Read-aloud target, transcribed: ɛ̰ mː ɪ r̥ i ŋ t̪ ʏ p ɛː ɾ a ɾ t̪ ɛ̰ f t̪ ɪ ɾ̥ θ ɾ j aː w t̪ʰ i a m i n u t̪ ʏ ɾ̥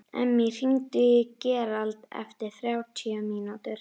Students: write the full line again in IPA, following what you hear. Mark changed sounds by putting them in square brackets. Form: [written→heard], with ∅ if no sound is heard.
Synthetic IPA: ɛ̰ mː ɪ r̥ i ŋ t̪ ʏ [p→c] ɛː ɾ a [ɾ→l] t̪ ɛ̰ f t̪ ɪ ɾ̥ θ ɾ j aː w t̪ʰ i a m i n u t̪ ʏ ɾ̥